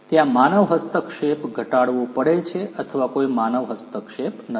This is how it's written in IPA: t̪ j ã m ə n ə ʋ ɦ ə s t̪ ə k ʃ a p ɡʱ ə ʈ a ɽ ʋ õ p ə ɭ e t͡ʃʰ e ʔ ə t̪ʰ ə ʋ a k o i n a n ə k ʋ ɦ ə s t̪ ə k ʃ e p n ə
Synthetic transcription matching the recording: t̪ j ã m a n ə ʋ ɦ ə s t̪ ə k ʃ e p ɡʱ ə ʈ a ɽ ʋ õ p ə ɽ e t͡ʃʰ e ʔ ə t̪ʰ ə ʋ a k o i m a n ə ʋ ɦ ə s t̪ ə k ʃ e p n ə